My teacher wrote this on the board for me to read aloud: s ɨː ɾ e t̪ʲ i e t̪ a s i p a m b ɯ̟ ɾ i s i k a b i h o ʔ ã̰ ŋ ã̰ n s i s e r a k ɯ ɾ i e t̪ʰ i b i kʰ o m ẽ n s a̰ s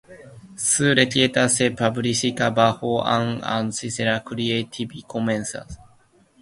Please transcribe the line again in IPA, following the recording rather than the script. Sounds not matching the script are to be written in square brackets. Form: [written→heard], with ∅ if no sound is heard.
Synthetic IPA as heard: s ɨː ɾ e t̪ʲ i e t̪ a s [i→e] p a [m→∅] b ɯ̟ ɾ i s i k a b [i→a] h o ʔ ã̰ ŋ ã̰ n s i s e [r→ɾ] a k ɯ ɾ i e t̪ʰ i b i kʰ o m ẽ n s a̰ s